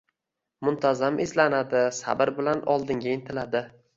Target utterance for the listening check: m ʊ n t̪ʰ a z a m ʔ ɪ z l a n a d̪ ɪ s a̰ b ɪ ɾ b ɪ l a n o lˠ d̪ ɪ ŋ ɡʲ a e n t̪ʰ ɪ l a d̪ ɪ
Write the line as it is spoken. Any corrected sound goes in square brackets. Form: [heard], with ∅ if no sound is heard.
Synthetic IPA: m ʊ n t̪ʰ a z a m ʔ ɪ z l a n a d̪ ɪ s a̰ b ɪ ɾ b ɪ l a n [ɒ] lˠ d̪ ɪ ŋ ɡʲ a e n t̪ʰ ɪ l a d̪ ɪ